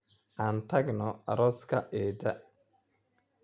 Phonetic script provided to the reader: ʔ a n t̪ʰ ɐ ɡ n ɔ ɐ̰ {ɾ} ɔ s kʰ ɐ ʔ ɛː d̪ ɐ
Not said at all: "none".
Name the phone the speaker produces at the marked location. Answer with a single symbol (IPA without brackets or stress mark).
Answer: ɾ